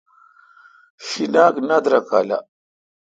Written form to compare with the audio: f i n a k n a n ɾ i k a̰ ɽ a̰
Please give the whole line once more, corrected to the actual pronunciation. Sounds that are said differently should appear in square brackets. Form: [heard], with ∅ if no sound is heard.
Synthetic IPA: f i n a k n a [d] ɾ [a] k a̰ [l] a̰